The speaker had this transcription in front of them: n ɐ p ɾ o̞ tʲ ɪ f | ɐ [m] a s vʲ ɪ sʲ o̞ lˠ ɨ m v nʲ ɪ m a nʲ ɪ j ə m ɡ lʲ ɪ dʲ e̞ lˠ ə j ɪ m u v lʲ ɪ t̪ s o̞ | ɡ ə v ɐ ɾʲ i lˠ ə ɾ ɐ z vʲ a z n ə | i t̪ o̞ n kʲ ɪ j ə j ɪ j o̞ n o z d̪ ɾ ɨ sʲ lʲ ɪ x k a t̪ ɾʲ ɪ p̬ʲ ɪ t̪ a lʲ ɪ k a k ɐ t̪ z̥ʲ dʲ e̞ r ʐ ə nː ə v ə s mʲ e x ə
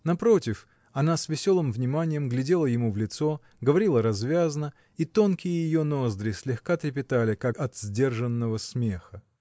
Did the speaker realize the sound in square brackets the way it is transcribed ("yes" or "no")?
no